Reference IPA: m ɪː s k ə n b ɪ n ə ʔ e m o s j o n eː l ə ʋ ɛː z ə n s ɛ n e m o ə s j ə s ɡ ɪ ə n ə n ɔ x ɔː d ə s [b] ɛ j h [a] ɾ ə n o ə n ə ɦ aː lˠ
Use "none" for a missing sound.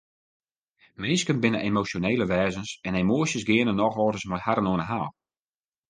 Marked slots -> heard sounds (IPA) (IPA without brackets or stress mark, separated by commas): m, a